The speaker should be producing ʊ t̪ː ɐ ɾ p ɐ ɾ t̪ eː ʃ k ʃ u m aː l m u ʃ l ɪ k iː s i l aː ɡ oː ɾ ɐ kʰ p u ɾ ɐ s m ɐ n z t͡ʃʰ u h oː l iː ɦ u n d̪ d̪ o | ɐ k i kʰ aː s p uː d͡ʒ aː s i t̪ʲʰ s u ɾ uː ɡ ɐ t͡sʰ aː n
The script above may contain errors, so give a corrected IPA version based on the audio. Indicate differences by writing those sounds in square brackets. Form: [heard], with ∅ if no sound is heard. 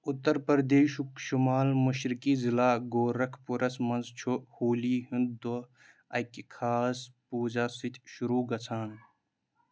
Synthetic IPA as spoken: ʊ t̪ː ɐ ɾ p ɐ ɾ [d̪] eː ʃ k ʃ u m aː l m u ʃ [ɾ] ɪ k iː [z] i l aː ɡ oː ɾ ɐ kʰ p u ɾ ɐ s m ɐ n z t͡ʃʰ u h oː l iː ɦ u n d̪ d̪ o | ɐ k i kʰ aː s p uː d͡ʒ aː s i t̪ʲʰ [ʃ] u ɾ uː ɡ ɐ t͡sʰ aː n